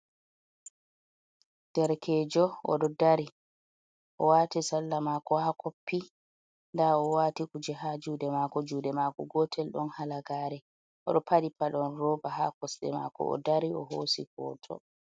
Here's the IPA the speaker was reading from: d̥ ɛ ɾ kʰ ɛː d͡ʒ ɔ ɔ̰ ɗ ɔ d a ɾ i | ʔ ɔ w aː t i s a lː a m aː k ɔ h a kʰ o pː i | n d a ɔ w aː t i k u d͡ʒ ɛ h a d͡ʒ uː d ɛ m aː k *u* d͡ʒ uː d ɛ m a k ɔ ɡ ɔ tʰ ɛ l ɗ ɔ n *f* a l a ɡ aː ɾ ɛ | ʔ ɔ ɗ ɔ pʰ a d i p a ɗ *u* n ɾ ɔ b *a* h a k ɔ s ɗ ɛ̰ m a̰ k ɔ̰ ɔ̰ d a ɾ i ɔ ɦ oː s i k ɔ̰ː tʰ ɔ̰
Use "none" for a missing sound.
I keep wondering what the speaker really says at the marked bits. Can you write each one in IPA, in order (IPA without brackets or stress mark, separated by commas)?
ɔ, h, ɔ, a